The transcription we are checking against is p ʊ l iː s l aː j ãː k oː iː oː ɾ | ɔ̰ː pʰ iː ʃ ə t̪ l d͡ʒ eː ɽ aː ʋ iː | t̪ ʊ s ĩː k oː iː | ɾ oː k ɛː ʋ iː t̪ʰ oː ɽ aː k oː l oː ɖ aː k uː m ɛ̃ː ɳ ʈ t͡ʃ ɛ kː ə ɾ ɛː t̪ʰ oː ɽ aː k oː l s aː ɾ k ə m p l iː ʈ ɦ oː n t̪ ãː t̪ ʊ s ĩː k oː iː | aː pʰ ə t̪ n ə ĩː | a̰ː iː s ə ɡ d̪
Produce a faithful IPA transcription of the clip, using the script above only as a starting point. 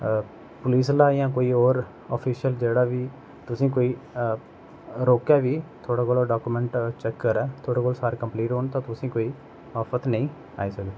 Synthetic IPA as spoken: p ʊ l iː s l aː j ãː k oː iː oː ɾ | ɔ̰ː pʰ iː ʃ ə l d͡ʒ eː ɽ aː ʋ iː | t̪ ʊ s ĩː k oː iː | ɾ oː k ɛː ʋ iː t̪ʰ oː ɽ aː k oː l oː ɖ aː k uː m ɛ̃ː ɳ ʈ t͡ʃ ɛ kː ə ɾ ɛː t̪ʰ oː ɽ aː k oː l s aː ɾ k ə m p l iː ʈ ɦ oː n t̪ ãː t̪ ʊ s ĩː k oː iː | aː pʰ ə t̪ n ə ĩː | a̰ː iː s ə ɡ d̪